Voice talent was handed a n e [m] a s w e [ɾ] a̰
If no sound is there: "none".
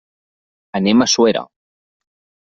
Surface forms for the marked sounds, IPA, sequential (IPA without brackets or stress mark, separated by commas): m, ɾ